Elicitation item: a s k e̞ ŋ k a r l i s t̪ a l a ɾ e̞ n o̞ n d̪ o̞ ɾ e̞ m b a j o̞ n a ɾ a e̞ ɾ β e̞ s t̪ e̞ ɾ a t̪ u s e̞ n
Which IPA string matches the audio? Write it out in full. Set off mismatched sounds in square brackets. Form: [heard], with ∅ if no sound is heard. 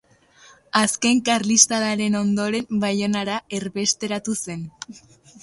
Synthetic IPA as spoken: a s k e̞ ŋ k a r l i s t̪ a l a ɾ e̞ n o̞ n d̪ o̞ ɾ e̞ m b a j o̞ n a ɾ a e̞ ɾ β e̞ s t̪ e̞ ɾ a t̪ u s e̞ n